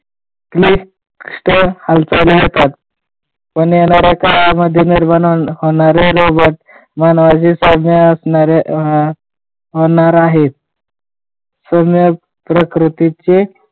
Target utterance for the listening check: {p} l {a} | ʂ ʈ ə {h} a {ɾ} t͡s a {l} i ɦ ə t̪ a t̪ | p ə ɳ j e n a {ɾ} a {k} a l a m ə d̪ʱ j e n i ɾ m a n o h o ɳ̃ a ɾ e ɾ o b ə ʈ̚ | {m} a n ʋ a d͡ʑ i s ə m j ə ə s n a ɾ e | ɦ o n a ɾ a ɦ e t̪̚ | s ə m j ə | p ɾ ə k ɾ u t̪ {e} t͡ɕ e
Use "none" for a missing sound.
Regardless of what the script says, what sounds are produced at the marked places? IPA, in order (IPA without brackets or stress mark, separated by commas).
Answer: k, i, h, l, l, ɾ, k, m, i